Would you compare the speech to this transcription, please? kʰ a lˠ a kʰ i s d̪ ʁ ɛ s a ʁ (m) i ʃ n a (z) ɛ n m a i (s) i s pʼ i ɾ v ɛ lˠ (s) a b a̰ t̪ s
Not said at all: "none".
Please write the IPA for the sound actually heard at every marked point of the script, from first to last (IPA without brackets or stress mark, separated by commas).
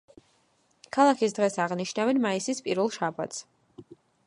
n, v, s, ʃ